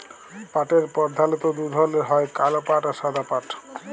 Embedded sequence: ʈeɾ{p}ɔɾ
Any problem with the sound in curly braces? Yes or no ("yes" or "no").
no